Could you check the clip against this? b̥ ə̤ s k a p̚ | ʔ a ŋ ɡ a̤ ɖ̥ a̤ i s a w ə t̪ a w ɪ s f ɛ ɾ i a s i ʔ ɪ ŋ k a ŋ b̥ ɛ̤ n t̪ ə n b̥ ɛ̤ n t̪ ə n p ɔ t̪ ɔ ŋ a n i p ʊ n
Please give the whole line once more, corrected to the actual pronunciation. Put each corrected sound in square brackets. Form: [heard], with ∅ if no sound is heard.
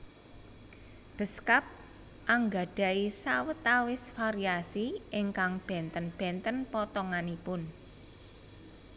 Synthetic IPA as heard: b̥ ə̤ s k a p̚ | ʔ a ŋ ɡ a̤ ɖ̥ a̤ i s a w ə t̪ a w ɪ s f [a] ɾ i a s i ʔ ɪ ŋ k a ŋ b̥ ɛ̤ n t̪ ə n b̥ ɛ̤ n t̪ ə n p ɔ t̪ ɔ ŋ a n i p ʊ n